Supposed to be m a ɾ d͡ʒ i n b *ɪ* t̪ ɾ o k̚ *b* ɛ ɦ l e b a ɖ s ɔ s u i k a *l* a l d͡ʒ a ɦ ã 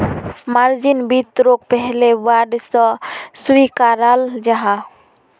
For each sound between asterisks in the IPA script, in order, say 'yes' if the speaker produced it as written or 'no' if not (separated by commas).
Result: no, no, no